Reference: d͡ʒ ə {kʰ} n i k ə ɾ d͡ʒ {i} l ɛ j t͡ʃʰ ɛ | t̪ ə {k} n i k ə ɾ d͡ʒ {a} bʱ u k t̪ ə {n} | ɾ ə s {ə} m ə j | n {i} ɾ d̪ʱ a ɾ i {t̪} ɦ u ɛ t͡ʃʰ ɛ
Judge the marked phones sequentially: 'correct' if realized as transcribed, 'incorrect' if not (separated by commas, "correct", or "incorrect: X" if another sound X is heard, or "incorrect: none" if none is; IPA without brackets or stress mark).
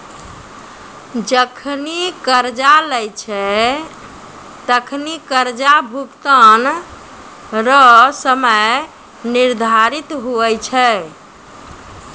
correct, incorrect: a, incorrect: kʰ, correct, correct, correct, correct, correct